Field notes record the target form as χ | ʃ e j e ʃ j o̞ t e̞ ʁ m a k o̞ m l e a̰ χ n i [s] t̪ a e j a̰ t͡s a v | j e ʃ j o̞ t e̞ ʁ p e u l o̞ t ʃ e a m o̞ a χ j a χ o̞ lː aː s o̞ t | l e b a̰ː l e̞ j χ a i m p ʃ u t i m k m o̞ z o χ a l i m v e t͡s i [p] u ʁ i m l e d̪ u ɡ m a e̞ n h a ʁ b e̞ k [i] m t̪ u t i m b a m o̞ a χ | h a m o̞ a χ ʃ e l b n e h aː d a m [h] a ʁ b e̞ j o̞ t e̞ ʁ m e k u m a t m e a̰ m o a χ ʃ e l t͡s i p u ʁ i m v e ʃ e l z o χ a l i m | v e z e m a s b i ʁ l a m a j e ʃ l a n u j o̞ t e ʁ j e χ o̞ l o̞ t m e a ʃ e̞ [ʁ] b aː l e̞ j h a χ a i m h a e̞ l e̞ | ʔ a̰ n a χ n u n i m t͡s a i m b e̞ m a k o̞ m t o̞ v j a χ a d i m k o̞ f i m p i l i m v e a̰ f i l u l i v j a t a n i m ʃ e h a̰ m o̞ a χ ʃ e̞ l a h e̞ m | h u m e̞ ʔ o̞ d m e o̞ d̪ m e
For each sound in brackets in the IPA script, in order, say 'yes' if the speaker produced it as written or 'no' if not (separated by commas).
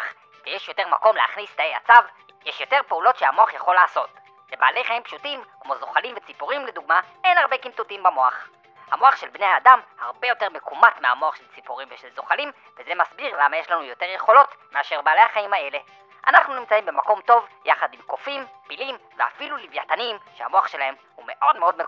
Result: yes, yes, yes, yes, yes